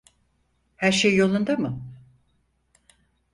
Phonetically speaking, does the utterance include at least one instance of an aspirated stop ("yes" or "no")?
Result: no